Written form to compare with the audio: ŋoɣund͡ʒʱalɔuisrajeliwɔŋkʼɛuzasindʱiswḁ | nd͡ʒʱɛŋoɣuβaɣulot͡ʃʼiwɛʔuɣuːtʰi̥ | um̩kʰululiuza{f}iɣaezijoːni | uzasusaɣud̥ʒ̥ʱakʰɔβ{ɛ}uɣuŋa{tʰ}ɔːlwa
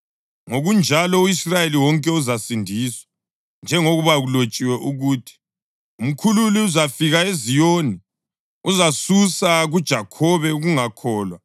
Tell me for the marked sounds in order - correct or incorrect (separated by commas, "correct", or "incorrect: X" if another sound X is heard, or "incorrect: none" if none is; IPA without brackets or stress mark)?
correct, correct, incorrect: kʰ